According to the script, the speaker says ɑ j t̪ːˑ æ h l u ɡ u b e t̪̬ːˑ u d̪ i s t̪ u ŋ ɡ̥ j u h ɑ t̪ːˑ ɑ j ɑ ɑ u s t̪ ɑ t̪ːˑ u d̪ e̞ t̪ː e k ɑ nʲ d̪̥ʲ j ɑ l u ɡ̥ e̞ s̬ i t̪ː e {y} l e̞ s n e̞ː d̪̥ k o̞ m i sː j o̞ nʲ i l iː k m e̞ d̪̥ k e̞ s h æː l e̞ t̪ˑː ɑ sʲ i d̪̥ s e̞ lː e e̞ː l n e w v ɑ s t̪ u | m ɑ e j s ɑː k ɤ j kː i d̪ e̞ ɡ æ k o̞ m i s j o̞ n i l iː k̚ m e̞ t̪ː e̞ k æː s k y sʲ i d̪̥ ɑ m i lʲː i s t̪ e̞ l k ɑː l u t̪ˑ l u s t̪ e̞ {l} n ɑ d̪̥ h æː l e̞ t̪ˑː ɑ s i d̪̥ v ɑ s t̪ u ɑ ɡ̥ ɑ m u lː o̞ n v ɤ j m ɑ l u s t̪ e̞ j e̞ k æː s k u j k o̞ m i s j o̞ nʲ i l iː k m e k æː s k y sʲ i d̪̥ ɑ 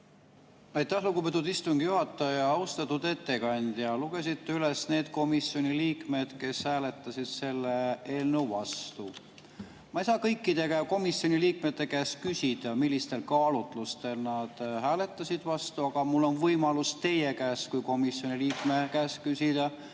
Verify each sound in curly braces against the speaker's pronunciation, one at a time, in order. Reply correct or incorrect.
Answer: correct, correct

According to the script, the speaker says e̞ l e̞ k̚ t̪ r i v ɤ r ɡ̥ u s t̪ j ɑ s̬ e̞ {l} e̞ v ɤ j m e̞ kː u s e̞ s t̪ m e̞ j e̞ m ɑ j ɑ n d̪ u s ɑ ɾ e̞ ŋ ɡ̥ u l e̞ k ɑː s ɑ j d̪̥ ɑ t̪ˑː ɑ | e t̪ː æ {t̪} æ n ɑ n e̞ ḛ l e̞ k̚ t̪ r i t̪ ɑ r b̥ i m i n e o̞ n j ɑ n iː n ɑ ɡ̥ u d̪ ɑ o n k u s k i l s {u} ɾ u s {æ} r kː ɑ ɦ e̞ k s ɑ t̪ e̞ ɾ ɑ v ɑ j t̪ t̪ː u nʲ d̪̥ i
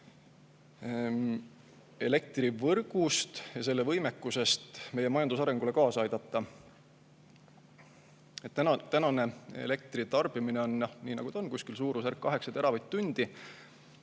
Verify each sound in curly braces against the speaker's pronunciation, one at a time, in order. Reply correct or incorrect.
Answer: incorrect: lː, correct, incorrect: uː, correct

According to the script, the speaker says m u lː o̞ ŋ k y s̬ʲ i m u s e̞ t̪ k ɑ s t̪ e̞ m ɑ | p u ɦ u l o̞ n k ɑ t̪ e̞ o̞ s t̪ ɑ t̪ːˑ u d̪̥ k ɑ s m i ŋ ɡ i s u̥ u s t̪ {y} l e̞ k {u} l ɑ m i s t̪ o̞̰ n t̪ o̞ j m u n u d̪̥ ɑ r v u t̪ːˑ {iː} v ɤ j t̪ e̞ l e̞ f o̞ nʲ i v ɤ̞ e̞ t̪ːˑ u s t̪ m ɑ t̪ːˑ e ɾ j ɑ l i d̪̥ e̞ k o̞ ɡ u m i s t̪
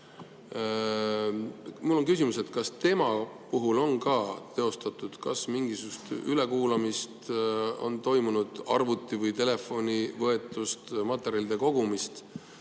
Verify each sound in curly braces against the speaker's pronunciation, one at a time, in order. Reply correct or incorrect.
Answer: correct, incorrect: uː, incorrect: i

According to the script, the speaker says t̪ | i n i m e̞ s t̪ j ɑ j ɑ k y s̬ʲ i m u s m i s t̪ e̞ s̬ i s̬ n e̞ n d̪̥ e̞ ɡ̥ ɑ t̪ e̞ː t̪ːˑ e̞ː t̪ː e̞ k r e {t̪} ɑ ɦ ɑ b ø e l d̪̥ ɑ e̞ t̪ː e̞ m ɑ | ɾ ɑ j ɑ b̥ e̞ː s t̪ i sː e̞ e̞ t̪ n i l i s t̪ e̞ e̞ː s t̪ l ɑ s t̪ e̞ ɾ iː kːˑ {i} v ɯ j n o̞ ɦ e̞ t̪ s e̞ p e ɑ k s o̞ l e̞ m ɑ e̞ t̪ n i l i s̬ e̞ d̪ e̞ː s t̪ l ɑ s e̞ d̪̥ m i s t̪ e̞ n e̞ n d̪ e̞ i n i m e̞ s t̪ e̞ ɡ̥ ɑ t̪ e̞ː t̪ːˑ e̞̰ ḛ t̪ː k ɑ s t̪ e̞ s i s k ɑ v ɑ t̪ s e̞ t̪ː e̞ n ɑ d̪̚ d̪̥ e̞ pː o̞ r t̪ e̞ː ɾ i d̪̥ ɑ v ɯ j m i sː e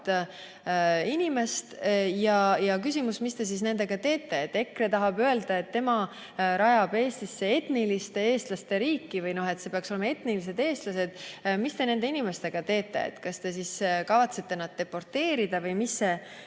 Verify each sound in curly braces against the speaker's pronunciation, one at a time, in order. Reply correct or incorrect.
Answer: correct, correct

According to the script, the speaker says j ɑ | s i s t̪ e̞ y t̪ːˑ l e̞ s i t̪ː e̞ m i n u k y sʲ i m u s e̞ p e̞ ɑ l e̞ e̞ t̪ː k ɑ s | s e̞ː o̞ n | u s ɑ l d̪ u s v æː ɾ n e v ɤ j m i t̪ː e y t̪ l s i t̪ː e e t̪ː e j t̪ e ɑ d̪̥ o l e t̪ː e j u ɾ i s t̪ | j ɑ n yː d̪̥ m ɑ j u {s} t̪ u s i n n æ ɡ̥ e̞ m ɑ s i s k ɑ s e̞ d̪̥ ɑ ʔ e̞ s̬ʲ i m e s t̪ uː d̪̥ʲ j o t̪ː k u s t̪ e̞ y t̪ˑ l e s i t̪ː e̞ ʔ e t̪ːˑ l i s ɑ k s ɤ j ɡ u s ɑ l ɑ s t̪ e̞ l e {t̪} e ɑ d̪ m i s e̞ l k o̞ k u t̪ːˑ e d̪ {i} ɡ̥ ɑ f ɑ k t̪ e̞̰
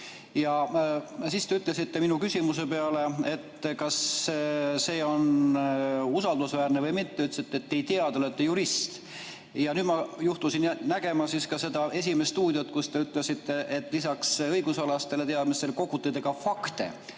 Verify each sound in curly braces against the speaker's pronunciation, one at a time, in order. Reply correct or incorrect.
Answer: incorrect: h, correct, incorrect: e

